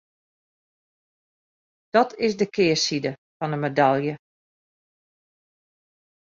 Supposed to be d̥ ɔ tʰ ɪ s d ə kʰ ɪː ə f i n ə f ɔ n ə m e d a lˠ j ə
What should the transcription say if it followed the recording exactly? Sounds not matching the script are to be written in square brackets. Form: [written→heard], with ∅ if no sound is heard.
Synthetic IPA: d̥ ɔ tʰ ɪ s d ə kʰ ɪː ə [f→s] i [n→d] ə f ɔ n ə m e d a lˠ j ə